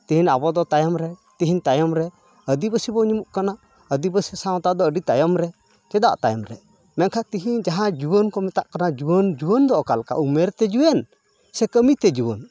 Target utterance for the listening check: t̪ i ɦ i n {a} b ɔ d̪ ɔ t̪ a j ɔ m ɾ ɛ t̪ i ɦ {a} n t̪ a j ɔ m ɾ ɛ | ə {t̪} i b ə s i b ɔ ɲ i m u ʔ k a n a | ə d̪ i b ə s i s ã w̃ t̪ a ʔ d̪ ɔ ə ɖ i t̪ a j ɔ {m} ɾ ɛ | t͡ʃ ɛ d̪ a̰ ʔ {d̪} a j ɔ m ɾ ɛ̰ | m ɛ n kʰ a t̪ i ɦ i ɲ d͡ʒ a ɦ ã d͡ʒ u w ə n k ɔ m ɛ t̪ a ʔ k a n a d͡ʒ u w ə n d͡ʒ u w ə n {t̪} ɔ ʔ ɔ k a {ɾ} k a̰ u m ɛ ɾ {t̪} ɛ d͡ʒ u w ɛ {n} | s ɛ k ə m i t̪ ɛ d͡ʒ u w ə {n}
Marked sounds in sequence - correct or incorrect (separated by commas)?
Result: correct, incorrect, incorrect, correct, incorrect, incorrect, incorrect, correct, correct, correct